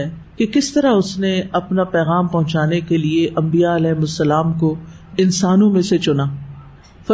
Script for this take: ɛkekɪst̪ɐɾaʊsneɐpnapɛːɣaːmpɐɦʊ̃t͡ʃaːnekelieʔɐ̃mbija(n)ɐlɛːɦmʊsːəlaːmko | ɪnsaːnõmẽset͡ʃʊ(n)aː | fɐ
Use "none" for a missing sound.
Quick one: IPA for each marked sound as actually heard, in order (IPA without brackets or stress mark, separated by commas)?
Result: none, n